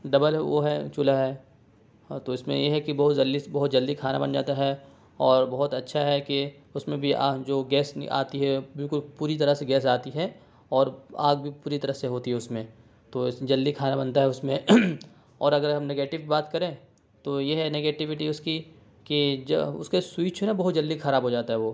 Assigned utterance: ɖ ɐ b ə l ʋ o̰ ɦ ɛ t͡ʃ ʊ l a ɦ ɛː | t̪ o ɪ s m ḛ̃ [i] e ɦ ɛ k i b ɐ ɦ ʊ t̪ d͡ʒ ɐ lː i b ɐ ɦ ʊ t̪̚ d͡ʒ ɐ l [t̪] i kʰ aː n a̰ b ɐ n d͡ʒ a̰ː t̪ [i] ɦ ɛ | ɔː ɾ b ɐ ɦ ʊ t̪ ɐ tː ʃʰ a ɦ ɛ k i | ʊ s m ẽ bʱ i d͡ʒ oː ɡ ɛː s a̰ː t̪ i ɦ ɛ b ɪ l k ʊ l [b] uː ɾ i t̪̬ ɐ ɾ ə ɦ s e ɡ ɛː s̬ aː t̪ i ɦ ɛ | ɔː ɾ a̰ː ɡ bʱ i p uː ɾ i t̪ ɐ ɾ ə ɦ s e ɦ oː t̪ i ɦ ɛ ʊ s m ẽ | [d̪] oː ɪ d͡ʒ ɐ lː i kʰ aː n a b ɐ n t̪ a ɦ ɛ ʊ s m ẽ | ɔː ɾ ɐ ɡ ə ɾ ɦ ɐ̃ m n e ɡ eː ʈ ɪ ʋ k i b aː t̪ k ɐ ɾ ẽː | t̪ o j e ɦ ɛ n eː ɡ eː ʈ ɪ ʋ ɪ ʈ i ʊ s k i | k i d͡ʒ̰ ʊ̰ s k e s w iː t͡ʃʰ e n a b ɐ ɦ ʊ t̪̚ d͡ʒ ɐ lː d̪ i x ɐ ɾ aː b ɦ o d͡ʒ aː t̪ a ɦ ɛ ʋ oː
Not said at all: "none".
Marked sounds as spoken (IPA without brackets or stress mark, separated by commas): j, d̪, a, p, t̪